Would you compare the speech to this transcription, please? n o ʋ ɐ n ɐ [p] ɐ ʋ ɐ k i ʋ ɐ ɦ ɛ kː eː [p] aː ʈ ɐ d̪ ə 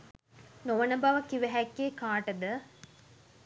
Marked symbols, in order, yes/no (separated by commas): no, no